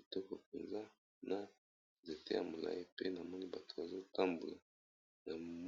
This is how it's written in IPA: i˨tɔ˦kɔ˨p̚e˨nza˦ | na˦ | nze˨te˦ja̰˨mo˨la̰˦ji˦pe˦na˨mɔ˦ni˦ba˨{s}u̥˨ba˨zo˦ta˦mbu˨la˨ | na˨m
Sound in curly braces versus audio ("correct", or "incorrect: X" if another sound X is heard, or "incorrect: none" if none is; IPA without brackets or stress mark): incorrect: t